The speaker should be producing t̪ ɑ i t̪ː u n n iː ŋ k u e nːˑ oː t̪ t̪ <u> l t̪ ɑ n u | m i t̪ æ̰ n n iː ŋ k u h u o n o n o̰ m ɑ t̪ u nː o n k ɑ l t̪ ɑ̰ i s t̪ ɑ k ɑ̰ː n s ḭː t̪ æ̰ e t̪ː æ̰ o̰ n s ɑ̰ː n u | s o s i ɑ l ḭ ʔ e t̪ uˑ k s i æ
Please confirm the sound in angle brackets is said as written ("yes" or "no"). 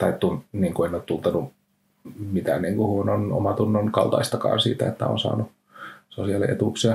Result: yes